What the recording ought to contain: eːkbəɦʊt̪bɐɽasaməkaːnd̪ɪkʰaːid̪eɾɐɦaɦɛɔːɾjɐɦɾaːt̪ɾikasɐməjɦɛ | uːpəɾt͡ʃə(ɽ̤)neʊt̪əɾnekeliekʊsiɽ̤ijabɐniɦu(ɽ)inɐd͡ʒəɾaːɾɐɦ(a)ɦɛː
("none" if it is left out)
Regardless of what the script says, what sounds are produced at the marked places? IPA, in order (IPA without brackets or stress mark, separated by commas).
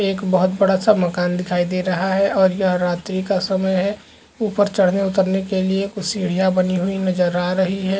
ɽ̤, none, i